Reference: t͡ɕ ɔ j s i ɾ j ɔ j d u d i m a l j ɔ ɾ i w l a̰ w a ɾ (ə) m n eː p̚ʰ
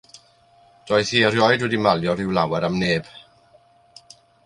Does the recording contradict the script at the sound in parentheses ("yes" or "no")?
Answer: yes